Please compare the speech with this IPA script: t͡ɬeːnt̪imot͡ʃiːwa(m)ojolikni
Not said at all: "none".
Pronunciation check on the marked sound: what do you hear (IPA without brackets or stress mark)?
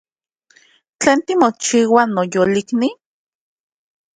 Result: n